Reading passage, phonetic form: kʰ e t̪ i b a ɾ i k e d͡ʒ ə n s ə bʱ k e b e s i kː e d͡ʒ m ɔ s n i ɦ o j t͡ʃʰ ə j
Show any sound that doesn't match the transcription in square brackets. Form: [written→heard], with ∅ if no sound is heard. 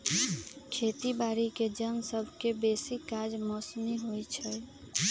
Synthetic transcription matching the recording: kʰ e t̪ i b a ɾ i k e d͡ʒ ə n s ə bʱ k e b e s i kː [e→a] d͡ʒ m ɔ s n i ɦ o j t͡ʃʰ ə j

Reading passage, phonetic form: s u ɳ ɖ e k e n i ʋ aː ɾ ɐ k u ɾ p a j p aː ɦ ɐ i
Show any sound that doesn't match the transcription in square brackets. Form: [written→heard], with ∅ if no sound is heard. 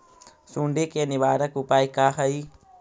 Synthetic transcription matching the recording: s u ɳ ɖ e k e n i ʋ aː ɾ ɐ k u [ɾ→∅] p a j [p→k] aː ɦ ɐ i

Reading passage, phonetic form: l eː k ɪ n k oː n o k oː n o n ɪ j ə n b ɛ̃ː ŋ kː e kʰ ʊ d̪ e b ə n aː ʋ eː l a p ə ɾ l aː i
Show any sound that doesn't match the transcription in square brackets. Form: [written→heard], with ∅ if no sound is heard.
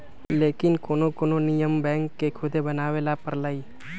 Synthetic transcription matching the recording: l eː k ɪ n k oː n o k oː n o n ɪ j ə [n→m] b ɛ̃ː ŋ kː e kʰ ʊ d̪ e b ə n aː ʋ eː l a p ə ɾ l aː i

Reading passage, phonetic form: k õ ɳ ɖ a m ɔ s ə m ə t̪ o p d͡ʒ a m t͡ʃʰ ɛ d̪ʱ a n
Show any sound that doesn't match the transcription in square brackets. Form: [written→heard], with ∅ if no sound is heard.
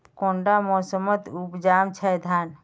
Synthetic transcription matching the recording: k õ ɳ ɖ a m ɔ s ə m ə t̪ [o→u] p d͡ʒ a m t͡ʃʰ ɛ d̪ʱ a n

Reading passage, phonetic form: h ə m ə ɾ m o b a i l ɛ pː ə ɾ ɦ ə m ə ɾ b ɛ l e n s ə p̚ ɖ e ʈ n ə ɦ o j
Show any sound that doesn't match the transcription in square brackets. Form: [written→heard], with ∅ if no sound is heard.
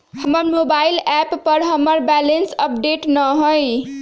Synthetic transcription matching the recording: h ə m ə ɾ m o b a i l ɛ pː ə ɾ ɦ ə m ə ɾ b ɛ l e n s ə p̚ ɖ e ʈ n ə ɦ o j

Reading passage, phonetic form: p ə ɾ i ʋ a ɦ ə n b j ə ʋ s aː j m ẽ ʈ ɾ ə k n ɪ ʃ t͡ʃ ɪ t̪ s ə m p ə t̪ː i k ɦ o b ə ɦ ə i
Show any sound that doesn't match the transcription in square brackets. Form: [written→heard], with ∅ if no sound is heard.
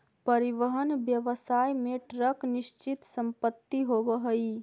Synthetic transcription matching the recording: p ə ɾ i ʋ [a→ə] ɦ ə n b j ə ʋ s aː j m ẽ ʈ ɾ ə k n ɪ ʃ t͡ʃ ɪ t̪ s ə m p ə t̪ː i [k→∅] ɦ o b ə ɦ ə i

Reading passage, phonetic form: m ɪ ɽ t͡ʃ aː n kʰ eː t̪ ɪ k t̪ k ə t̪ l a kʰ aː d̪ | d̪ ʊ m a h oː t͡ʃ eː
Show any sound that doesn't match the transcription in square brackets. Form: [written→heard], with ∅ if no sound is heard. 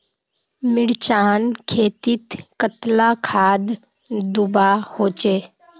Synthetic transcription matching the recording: m ɪ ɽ t͡ʃ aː n kʰ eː t̪ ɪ [k→∅] t̪ k ə t̪ l a kʰ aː d̪ | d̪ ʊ [m→b] a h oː t͡ʃ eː

